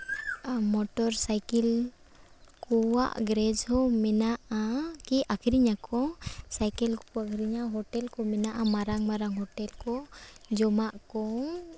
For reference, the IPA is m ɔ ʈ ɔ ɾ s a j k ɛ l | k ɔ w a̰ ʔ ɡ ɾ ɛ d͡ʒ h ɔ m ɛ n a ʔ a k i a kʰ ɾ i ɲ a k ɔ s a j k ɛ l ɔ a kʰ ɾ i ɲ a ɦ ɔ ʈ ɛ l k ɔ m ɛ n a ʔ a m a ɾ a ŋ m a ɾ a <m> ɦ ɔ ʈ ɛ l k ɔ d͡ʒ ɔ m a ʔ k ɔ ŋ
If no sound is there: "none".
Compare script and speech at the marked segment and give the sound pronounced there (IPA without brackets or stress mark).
ŋ